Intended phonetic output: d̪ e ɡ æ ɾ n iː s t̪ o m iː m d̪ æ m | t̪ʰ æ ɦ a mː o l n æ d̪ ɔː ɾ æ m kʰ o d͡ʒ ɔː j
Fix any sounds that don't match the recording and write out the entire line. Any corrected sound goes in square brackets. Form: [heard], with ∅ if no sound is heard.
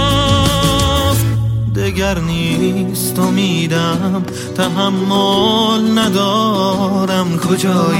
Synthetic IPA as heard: d̪ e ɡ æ ɾ n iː s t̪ o m iː [∅] d̪ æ m | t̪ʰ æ ɦ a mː o l n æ d̪ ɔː ɾ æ m kʰ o d͡ʒ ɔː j